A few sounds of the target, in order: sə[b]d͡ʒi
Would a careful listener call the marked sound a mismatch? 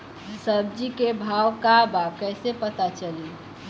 no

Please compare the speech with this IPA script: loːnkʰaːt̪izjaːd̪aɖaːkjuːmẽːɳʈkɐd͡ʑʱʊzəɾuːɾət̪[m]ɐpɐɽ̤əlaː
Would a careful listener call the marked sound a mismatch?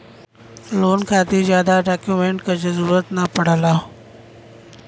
yes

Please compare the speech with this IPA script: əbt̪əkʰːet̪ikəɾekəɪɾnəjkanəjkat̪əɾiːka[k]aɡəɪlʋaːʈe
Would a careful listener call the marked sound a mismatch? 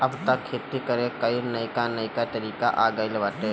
yes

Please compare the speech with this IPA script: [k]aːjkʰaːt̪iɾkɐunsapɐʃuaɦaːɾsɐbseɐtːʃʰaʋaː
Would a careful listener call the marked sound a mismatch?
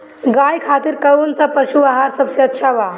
yes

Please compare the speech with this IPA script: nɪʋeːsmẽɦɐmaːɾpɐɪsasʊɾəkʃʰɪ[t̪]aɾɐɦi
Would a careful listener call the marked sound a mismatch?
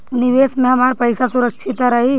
no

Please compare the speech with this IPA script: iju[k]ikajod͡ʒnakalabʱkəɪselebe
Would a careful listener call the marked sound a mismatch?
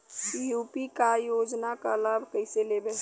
yes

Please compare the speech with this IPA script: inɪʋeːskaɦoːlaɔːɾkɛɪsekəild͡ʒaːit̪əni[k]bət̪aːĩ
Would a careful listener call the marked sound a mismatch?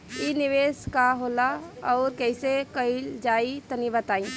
yes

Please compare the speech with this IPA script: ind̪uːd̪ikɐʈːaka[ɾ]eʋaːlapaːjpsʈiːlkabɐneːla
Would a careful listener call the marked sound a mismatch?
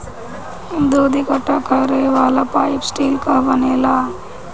no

